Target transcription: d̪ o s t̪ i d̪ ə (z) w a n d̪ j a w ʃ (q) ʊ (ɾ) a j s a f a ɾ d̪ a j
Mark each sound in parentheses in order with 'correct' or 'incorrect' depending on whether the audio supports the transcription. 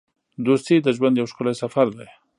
incorrect: ʒ, incorrect: k, incorrect: l

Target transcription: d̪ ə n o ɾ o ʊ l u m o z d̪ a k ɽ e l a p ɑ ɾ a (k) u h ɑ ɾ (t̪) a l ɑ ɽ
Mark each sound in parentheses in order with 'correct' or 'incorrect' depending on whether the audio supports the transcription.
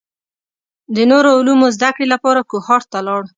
correct, correct

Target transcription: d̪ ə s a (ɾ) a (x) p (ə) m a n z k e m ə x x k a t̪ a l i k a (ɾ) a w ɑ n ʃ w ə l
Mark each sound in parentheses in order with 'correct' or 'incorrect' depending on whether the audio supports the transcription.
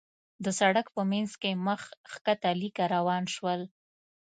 incorrect: ɽ, incorrect: k, correct, correct

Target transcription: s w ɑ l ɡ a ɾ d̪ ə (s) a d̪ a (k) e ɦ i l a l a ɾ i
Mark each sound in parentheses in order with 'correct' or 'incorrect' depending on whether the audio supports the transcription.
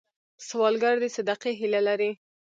correct, incorrect: q

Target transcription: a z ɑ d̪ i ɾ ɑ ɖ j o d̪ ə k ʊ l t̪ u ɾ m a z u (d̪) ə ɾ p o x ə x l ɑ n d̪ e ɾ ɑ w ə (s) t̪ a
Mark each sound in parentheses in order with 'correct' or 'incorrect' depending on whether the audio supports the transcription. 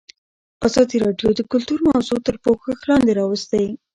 incorrect: t̪, correct

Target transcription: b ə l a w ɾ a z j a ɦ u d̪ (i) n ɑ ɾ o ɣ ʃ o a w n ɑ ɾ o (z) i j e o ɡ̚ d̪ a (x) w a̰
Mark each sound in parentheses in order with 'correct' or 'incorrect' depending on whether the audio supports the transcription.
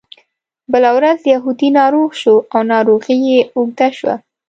correct, incorrect: ɣ, incorrect: ʃ

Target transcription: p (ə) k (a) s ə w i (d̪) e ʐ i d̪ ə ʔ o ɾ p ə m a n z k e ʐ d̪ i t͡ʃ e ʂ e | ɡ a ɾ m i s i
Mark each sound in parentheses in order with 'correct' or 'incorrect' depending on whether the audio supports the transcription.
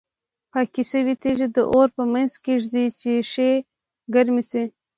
incorrect: ɑ, incorrect: i, incorrect: t̪

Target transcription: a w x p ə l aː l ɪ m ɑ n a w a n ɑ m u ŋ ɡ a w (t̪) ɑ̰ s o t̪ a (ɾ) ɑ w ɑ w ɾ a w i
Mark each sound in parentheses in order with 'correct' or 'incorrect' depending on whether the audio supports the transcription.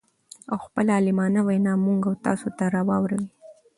correct, correct

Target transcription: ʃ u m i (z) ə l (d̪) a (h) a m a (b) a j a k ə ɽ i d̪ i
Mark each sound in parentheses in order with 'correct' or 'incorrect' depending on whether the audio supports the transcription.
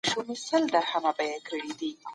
incorrect: s, correct, correct, correct

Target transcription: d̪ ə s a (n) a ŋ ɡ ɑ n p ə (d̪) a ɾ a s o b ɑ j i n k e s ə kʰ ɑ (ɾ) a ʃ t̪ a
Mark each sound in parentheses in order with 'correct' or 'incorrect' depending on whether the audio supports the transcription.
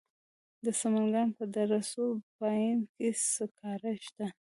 incorrect: m, correct, correct

